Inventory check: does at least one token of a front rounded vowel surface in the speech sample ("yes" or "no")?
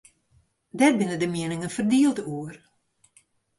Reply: no